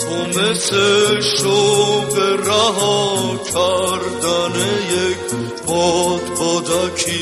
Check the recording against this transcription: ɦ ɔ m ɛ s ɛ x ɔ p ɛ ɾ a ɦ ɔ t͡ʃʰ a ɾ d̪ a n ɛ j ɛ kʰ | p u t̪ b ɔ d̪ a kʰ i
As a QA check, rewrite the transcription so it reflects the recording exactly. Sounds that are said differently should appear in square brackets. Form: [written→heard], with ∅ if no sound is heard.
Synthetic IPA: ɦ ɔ m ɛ s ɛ [x→ʃ] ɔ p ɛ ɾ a ɦ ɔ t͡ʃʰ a ɾ d̪ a n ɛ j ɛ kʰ | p [u→ɔ] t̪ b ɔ d̪ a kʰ i